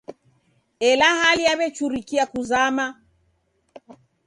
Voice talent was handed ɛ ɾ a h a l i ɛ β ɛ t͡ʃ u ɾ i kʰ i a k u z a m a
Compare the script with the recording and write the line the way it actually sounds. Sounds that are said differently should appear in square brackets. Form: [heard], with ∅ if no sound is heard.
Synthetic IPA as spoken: ɛ [l] a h a l i [a] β ɛ t͡ʃ u ɾ i [k] i a k u z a m a